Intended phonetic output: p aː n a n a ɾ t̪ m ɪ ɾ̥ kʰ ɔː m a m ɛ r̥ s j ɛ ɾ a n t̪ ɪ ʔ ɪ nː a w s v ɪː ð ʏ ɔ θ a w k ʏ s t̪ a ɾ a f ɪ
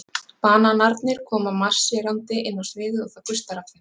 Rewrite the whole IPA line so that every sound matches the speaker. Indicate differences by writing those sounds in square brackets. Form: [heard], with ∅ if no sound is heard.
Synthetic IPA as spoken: p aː n a n a ɾ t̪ [n] ɪ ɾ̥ kʰ ɔː m a m [a] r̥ s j ɛ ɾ a n t̪ ɪ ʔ ɪ nː a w s v ɪː ð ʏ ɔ θ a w k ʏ s t̪ a ɾ a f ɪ